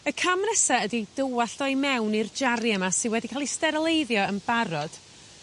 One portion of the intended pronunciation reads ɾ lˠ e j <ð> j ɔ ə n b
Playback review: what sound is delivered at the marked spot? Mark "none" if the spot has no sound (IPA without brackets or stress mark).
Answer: ð